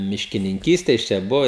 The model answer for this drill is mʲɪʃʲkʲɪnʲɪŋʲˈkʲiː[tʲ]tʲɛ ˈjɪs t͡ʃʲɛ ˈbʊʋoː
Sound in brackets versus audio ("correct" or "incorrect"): incorrect